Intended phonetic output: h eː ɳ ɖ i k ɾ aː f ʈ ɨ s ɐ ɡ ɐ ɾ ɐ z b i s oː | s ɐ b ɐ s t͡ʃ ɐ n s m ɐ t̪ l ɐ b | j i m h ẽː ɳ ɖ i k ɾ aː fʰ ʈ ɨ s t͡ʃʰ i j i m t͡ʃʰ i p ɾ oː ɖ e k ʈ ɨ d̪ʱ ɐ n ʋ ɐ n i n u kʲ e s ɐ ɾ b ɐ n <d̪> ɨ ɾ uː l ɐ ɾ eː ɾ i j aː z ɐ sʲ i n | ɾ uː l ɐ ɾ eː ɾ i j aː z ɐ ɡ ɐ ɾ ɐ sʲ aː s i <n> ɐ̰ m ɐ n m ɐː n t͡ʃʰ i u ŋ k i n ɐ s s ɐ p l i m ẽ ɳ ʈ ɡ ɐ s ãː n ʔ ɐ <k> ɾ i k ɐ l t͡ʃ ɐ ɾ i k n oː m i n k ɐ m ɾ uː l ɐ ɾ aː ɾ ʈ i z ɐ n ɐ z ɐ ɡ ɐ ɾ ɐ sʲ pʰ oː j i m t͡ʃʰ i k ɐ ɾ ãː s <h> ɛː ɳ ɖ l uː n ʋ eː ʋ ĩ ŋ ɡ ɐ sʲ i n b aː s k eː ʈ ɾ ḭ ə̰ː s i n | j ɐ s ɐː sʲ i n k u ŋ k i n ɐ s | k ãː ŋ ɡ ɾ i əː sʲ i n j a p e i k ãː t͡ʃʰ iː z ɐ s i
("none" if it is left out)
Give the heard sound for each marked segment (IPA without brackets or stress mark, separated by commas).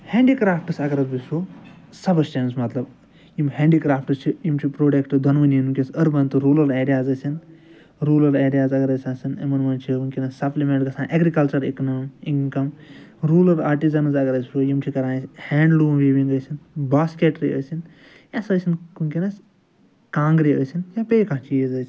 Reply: t̪, n, ɡ, h